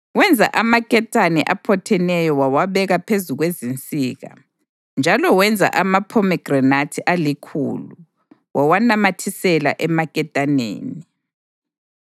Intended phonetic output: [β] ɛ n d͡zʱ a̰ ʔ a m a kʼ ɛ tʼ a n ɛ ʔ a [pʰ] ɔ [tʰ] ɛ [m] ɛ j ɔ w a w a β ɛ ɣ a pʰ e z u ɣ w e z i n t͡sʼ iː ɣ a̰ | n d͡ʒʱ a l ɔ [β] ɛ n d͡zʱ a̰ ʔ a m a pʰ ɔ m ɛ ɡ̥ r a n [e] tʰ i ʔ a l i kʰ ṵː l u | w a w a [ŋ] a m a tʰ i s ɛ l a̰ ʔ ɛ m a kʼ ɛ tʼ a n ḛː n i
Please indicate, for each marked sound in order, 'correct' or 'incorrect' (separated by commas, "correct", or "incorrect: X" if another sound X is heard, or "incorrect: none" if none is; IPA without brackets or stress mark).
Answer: incorrect: w, correct, correct, incorrect: n, incorrect: w, incorrect: a, incorrect: n